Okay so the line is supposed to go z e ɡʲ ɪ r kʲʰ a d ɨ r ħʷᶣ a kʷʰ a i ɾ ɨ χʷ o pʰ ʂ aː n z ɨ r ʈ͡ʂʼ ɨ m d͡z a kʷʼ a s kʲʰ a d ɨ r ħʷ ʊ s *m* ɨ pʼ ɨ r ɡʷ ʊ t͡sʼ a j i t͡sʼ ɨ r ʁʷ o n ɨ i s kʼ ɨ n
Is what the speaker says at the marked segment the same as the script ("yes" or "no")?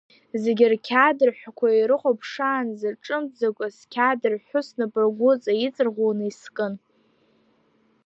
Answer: no